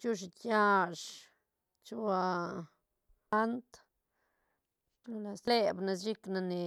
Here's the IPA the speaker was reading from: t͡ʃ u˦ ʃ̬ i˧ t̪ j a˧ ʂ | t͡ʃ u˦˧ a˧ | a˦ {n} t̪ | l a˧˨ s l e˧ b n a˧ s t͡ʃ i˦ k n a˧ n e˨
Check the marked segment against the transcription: correct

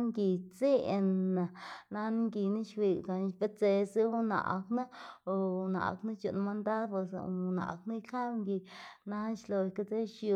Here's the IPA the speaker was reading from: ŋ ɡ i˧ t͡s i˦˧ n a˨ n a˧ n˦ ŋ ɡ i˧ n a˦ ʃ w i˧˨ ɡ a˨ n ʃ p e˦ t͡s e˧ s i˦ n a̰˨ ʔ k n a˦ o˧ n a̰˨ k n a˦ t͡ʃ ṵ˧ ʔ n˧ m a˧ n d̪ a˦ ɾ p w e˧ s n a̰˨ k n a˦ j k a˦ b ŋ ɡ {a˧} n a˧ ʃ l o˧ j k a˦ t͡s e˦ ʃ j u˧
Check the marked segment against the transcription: incorrect: i˧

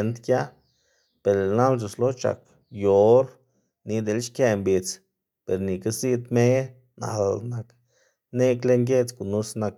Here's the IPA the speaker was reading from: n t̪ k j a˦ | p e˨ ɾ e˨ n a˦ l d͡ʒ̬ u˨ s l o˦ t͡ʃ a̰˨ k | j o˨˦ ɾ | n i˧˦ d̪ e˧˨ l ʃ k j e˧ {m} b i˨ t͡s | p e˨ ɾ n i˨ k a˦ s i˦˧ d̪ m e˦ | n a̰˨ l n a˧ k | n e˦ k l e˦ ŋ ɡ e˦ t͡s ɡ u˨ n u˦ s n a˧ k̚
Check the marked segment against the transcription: correct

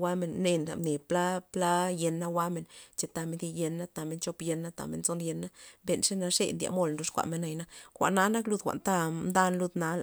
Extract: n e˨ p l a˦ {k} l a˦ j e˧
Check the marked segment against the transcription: incorrect: p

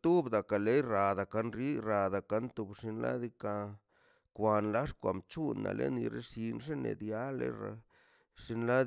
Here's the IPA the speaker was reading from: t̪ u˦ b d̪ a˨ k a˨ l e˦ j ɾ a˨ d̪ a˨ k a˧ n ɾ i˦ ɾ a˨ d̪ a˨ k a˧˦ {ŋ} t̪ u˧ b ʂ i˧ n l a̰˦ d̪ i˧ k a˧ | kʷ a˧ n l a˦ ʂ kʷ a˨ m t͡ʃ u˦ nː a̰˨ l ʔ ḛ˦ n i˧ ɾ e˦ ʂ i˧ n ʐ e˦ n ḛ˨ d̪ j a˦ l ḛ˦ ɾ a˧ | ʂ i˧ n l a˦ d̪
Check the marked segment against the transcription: incorrect: n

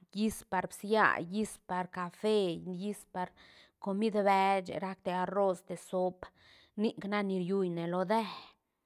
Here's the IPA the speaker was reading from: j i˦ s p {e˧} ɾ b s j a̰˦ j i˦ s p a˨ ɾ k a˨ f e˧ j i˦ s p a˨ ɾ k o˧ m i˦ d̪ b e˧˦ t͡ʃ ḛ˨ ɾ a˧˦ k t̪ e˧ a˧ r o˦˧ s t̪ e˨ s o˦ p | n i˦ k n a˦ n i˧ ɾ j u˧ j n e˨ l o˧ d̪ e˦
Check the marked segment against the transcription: incorrect: a˧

